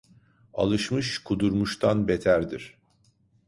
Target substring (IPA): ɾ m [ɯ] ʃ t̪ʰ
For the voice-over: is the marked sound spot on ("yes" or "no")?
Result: no